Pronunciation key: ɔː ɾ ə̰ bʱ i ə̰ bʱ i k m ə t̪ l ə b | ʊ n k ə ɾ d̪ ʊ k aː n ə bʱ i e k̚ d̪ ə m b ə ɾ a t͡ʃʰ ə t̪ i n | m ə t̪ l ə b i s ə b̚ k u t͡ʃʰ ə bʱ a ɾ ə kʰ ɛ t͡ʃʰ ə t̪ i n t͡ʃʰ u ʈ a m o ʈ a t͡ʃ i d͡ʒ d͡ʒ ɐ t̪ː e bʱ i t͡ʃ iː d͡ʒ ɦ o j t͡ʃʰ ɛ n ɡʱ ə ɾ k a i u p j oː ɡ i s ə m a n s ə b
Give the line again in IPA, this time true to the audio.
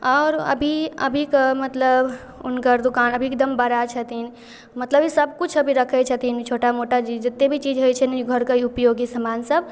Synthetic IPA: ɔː ɾ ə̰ bʱ i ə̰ bʱ i k m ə t̪ l ə b | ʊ n k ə ɾ d̪ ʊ k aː n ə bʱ i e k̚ d̪ ə m b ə ɾ a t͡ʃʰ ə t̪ i n | m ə t̪ l ə b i s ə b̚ k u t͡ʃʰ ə bʱ i ɾ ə kʰ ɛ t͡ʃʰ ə t̪ i n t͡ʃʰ o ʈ a m o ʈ a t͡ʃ i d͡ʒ d͡ʒ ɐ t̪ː e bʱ i t͡ʃ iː d͡ʒ ɦ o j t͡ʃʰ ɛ n ɡʱ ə ɾ k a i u p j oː ɡ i s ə m a n s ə b